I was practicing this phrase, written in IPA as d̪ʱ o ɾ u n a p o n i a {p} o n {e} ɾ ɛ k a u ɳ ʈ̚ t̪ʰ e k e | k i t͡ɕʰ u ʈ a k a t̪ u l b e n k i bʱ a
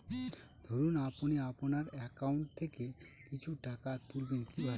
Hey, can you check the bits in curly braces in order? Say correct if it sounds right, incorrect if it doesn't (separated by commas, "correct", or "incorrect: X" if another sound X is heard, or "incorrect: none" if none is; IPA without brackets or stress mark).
correct, incorrect: a